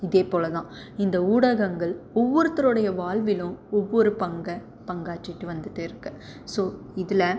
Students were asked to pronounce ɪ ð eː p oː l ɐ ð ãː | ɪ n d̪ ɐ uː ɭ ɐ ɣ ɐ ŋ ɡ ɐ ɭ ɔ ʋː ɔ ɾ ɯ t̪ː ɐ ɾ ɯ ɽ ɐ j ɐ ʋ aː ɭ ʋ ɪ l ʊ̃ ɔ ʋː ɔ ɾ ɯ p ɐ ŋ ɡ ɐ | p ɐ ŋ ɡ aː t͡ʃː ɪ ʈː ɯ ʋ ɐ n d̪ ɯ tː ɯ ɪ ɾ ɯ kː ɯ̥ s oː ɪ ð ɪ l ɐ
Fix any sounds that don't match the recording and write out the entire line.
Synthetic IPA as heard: ɪ ð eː p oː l ɐ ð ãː | ɪ n d̪ ɐ uː ɽ ɐ ɣ ɐ ŋ ɡ ɐ ɭ ɔ ʋː ɔ ɾ ɯ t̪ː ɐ ɾ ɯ ɽ ɐ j ɐ ʋ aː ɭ ʋ ɪ l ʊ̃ ɔ ʋː ɔ ɾ ɯ p ɐ ŋ ɡ ɐ | p ɐ ŋ ɡ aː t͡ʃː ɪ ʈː ɯ ʋ ɐ n d̪ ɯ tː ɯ ɪ ɾ ɯ kː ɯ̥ s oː ɪ ð ɪ l ɐ